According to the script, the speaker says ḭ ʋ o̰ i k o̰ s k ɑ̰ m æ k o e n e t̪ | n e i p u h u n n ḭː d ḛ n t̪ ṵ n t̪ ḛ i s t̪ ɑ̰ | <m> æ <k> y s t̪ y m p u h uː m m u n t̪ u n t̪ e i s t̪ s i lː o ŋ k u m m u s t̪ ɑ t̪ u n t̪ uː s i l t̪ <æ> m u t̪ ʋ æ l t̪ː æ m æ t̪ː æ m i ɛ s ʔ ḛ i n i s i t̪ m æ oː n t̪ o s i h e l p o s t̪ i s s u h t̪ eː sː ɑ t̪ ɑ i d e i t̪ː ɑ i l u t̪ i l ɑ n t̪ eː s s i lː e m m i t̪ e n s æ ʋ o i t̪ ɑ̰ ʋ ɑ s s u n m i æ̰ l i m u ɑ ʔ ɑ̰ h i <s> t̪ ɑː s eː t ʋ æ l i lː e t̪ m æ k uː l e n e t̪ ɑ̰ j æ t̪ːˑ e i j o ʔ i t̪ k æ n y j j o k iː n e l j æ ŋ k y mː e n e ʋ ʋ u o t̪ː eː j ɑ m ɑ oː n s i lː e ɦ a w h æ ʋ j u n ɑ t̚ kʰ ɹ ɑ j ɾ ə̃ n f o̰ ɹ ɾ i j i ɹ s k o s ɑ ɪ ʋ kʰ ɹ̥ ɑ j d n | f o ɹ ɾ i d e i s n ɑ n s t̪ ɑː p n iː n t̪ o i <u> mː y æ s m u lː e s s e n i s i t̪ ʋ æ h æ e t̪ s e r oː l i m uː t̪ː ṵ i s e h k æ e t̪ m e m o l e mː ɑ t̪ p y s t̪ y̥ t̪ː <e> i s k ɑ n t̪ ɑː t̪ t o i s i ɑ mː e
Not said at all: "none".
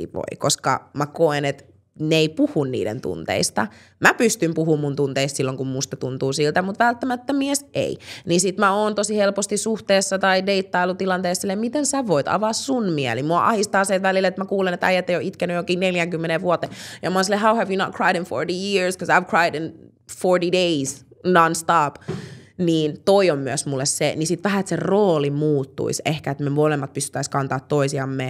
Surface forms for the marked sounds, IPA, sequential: m, p, æ, s, o, æ

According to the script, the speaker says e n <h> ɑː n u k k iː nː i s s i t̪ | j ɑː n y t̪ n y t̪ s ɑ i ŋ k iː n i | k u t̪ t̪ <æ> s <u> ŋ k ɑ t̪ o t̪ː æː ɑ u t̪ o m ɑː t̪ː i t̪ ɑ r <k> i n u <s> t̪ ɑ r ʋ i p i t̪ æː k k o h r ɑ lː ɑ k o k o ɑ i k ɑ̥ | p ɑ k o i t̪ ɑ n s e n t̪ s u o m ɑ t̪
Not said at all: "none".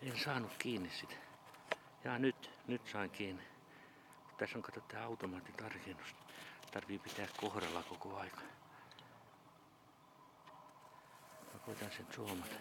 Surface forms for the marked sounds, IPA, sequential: s, æ, o, k, s

